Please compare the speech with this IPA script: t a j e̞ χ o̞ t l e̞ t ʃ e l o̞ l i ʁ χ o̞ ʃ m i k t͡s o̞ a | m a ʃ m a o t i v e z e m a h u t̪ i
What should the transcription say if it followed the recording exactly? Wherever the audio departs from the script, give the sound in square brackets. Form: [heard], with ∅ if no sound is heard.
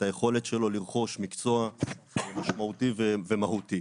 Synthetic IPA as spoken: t a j e̞ χ o̞ [∅] l e̞ t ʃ e l o̞ l i ʁ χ o̞ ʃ m i k t͡s o̞ a | m a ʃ m a [u] t i v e [v] e m a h u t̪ i